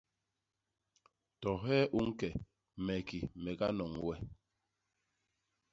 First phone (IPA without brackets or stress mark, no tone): t